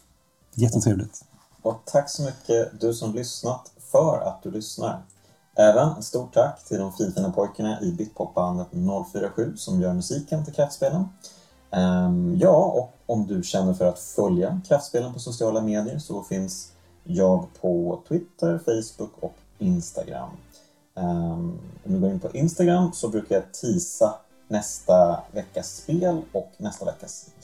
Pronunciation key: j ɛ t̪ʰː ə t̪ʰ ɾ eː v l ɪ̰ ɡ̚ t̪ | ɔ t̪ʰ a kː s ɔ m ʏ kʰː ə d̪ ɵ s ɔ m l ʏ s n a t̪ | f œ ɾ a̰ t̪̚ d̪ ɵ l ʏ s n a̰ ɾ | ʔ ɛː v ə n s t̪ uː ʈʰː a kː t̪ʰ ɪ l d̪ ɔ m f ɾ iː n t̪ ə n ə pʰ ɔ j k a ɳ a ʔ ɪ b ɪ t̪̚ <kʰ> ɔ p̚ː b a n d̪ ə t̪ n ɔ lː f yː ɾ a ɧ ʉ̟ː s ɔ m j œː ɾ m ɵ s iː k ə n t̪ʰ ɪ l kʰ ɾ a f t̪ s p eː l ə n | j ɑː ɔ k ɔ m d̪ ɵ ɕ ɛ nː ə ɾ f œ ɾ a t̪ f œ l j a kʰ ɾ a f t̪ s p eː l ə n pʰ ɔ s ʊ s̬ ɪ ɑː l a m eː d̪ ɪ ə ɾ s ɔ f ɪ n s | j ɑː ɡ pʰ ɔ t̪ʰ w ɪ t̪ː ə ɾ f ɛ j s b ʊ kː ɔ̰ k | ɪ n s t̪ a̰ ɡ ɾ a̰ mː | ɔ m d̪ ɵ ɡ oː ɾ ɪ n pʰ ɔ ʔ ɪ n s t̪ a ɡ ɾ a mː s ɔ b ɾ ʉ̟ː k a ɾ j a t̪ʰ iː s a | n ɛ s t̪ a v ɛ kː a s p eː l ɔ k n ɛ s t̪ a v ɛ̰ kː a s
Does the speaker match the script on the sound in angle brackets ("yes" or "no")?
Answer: no